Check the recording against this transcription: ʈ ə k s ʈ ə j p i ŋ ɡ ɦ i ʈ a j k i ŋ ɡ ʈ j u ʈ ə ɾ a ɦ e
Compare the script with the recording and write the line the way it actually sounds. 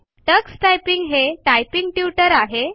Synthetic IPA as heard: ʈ ə k s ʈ a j p i ŋ ɡ ɦ e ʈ a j p i ŋ ɡ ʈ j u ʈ ə ɾ a ɦ e

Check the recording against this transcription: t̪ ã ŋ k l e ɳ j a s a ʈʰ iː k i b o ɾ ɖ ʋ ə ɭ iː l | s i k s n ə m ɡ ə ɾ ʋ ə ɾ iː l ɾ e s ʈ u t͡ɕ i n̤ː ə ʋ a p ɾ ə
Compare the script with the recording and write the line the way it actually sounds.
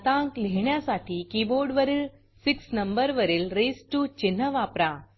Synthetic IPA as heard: t̪ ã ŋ k l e ɳ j a s a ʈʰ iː k i b o ɾ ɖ ʋ ə ɾ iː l | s i k s n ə m b ə ɾ ʋ ə ɾ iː l ɾ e s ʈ u t͡ɕ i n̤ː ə ʋ a p ɾ a

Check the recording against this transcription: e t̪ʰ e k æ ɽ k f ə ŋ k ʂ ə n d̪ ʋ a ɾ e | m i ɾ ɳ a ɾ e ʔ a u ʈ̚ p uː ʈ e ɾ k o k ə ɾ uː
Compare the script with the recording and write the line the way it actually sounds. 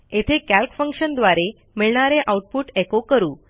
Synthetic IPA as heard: e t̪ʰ e k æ l k f ə ŋ k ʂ ə n d̪ ʋ a ɾ e | m i ɭ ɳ a ɾ e ʔ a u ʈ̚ p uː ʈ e k o k ə ɾ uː

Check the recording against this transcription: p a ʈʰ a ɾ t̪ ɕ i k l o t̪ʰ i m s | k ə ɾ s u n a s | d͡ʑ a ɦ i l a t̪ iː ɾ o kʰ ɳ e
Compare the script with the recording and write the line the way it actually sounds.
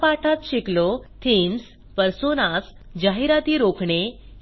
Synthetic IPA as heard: p a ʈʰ a t̪ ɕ i k l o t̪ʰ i n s | p ə ɾ s o n a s | d͡ʑ a ɦ i ɾ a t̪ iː ɾ o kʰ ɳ e

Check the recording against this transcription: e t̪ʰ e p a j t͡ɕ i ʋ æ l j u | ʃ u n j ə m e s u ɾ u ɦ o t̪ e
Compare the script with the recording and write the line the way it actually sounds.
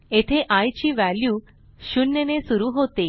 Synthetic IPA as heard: e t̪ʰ e ʔ a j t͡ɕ i ʋ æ l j u | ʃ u n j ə n e s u ɾ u ɦ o t̪ e

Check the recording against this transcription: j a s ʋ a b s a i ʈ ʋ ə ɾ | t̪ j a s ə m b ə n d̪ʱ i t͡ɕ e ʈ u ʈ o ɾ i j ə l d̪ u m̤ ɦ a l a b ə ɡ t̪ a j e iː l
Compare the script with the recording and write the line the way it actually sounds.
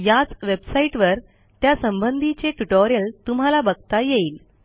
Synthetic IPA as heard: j a t͡s ʋ e b s a i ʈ ʋ ə ɾ | t̪ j a s ə m b ə n d̪ʱ i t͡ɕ e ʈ u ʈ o ɾ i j ə l t̪ u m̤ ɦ a l a b ə ɡ t̪ a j e iː l

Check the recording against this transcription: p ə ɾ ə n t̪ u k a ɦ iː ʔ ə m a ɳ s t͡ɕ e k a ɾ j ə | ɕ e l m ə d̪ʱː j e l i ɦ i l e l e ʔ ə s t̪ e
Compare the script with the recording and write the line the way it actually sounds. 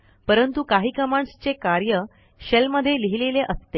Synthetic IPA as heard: p ə ɾ ə n t̪ u k a ɦ iː k ə m a ɳ s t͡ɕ e k a ɾ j ə | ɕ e l m ə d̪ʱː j e l i ɦ i l e l e ʔ ə s t̪ e

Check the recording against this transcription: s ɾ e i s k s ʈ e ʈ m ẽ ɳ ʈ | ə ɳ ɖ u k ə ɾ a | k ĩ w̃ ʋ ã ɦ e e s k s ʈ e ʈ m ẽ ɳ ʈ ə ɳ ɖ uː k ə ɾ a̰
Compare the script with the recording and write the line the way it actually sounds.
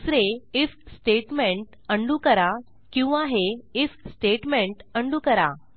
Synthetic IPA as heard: s ɾ e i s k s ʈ e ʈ m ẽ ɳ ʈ | ə ɳ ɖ u k ə ɾ a | k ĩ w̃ ʋ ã ɦ e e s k s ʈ e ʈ m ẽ ɳ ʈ ə ɳ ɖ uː k ə ɾ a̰

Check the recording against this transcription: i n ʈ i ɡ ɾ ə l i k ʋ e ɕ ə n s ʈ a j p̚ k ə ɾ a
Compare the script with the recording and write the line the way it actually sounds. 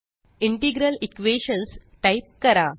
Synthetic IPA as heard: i ɳ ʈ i ɡ ɾ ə l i k ʋ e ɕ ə n s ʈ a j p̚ k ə ɾ a

